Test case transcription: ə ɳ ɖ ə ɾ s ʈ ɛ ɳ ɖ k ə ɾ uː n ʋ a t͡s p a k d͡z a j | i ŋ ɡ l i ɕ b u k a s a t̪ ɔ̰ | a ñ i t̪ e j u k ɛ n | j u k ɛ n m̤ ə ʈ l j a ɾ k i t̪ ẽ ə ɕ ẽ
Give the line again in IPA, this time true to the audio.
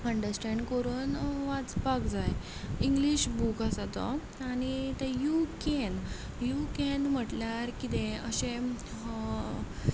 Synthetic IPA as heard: ə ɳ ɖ ə ɾ s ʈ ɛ ɳ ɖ k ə ɾ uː n ʋ a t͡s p a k d͡z a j | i ŋ ɡ l i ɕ b u k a s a t̪ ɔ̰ | a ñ i t̪ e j u k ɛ n | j u k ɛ n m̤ ə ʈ l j a ɾ k i t̪ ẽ ə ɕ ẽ